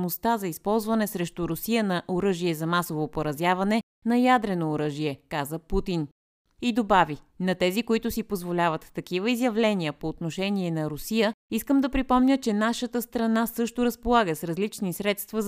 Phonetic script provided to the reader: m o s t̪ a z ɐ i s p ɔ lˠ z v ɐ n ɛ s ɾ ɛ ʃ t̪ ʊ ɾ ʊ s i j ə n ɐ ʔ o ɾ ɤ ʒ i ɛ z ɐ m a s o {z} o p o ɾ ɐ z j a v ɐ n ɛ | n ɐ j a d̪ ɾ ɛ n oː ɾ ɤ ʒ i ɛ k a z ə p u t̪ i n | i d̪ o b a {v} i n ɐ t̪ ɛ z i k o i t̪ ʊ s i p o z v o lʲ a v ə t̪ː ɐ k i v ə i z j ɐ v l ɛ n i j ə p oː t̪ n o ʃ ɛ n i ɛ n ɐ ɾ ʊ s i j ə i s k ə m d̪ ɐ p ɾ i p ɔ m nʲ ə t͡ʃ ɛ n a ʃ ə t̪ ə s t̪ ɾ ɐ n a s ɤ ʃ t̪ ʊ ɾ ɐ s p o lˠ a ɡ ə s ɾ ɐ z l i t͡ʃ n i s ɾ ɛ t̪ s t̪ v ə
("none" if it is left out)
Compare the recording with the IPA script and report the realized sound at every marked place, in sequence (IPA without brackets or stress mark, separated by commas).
v, v